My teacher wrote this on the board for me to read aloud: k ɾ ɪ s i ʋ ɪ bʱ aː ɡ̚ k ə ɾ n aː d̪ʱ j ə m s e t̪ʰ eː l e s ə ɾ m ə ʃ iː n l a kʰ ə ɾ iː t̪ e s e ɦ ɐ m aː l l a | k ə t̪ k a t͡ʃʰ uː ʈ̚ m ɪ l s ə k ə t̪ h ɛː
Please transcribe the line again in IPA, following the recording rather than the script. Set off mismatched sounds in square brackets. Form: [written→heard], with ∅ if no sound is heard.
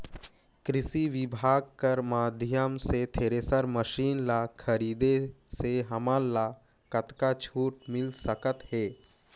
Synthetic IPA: k ɾ ɪ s i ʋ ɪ bʱ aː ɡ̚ k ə ɾ [n→m] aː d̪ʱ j ə m s e t̪ʰ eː [l→ɾ] e s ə ɾ m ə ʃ iː n l a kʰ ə ɾ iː [t̪→d̪] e s e ɦ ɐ m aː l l a | k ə t̪ k a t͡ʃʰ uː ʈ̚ m ɪ l s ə k ə t̪ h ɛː